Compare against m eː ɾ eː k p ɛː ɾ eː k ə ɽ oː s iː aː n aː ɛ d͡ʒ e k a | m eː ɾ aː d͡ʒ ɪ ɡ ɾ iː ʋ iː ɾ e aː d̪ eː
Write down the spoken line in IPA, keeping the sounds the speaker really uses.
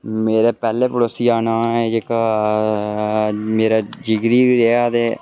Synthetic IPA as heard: m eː ɾ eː p ɛː l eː p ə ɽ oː s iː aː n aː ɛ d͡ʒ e k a | m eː ɾ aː d͡ʒ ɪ ɡ ɾ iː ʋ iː ɾ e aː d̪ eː

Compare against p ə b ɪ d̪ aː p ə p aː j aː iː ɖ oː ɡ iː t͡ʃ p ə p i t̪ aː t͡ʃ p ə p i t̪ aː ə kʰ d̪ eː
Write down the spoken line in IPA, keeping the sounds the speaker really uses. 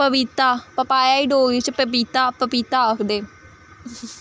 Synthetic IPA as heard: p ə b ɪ t̪ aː p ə p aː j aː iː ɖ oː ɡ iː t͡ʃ p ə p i t̪ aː p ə p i t̪ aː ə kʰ d̪ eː

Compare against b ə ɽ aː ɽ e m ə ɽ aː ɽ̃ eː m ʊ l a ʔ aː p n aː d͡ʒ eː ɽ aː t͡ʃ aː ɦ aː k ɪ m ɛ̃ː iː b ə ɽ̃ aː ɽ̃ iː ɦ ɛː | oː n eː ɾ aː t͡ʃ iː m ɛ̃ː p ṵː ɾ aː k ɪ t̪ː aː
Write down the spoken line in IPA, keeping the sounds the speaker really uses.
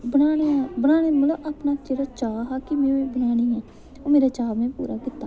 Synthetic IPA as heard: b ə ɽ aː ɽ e b ə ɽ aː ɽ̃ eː m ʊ l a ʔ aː p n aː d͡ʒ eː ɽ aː t͡ʃ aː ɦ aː k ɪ m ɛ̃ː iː b ə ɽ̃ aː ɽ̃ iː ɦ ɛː | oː m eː ɾ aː t͡ʃ aː m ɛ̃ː p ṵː ɾ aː k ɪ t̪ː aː

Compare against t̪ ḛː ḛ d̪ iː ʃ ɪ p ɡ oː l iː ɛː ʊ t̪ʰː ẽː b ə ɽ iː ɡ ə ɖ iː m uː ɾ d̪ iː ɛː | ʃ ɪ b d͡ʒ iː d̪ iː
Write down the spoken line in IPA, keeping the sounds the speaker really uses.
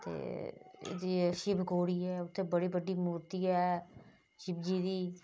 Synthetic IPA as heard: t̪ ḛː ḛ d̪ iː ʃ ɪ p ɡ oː ɽ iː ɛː ʊ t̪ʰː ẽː b ə ɽ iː b ə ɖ iː m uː ɾ t̪ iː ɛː | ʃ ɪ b d͡ʒ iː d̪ iː

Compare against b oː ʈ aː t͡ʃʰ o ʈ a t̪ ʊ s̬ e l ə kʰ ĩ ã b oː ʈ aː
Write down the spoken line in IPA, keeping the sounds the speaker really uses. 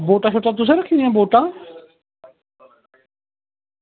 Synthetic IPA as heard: b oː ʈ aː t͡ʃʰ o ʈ a t̪ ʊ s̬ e ɾ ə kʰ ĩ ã b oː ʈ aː

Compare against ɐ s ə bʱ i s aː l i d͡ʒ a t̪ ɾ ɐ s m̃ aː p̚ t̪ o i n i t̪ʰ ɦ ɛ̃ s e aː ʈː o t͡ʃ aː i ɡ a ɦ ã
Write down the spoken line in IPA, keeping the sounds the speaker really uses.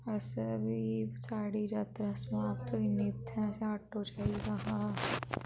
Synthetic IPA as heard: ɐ s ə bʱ i s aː ɽ i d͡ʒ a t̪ ɾ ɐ s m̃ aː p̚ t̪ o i n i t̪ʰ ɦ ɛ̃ s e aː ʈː o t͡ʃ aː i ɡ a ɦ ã

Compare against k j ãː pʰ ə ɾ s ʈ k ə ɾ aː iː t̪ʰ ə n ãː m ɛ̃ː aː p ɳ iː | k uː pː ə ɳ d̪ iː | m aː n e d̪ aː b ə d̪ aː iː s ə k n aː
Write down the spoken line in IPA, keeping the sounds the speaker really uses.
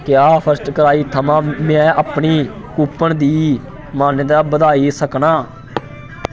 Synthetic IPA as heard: k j aː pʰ ə ɾ s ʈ k ə ɾ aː iː t̪ʰ ə m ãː m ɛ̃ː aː p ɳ iː | k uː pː ə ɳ d̪ iː | m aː n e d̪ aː b ə d̪ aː iː s ə k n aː

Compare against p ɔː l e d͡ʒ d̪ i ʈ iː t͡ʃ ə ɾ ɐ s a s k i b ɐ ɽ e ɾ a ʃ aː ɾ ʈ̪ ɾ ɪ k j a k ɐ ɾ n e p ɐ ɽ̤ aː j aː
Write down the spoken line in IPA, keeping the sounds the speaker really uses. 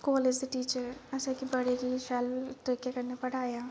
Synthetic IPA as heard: k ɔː l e d͡ʒ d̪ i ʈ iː t͡ʃ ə ɾ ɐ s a k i b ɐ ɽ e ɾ i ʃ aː l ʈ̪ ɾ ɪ k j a k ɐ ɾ n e p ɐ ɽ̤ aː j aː

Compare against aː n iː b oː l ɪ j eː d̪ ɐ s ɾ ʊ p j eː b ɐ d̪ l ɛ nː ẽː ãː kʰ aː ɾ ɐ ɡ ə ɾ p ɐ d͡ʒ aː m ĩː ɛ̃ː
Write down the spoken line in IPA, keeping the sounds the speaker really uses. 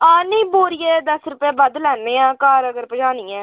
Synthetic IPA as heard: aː n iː b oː ɾ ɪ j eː d̪ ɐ s ɾ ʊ p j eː b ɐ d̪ l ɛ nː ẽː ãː k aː ɾ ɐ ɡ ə ɾ p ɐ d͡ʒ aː n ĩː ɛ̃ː

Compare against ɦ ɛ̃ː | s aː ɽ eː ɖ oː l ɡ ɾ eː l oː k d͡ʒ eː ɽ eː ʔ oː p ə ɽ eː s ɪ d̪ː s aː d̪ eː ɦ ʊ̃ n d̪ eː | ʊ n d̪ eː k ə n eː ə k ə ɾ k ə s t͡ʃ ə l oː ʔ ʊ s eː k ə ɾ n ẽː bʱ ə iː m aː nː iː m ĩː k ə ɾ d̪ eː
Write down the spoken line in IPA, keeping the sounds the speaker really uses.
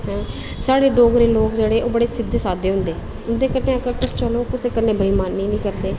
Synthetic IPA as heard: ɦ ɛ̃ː | s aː ɽ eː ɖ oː ɡ ɾ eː l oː k d͡ʒ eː ɽ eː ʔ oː b ə ɽ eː s ɪ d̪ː s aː d̪ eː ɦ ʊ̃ n d̪ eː | ʊ n d̪ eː k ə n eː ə k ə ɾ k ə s t͡ʃ ə l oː k ʊ s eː k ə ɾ n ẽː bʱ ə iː m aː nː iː n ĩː k ə ɾ d̪ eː

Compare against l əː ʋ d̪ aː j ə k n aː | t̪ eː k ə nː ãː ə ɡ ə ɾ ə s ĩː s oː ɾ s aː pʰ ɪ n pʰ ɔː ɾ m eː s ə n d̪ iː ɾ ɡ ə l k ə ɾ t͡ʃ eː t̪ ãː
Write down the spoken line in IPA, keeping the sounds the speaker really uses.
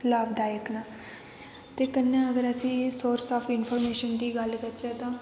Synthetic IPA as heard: l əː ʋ d̪ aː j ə k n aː | t̪ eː k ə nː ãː ə ɡ ə ɾ ə s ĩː s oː ɾ s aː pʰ ɪ n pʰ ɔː ɾ m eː ʃ ə n d̪ iː ɡ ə l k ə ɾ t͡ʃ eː t̪ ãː

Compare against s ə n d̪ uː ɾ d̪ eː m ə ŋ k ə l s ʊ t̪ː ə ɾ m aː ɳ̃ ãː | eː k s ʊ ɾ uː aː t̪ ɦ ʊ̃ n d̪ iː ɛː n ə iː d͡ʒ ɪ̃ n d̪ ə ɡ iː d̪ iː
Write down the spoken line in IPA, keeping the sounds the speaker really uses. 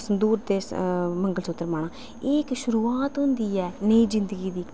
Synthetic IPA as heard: s ə n d̪ uː ɾ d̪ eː m ə ŋ ɡ ə l s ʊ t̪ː ə ɾ m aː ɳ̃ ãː | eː k ʃ ʊ ɾ uː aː t̪ ɦ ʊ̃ n d̪ iː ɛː n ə iː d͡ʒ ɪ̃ n d̪ ə ɡ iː d̪ iː

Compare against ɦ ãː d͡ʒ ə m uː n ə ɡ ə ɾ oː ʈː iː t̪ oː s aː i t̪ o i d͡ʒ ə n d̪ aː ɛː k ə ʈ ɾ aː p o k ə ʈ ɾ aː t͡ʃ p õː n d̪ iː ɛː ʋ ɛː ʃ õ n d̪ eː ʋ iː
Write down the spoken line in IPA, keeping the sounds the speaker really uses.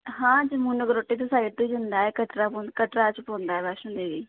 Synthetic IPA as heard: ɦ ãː d͡ʒ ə m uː n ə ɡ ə ɾ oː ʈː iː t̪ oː s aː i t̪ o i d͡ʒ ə n d̪ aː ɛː k ə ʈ ɾ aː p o k ə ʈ ɾ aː t͡ʃ p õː n d̪ aː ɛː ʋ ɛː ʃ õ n d̪ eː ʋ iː

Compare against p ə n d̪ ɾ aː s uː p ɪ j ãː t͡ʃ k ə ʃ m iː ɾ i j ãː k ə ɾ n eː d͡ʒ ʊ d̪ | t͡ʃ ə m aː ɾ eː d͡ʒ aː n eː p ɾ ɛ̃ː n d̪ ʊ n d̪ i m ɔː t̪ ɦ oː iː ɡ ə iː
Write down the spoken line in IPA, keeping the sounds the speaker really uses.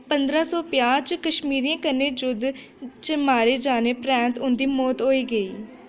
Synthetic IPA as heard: p ə n d̪ ɾ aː s ɔː p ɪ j aː t͡ʃ k ə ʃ m iː ɾ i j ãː k ə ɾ n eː d͡ʒ ʊ d̪ | t͡ʃ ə m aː ɾ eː d͡ʒ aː n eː p ɾ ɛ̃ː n t̪ ʊ n d̪ iː m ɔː t̪ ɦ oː iː ɡ ə iː

